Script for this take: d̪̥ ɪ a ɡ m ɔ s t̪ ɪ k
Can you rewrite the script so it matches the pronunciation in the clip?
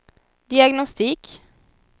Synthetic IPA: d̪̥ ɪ ɑ ɡ n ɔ s t̪ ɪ k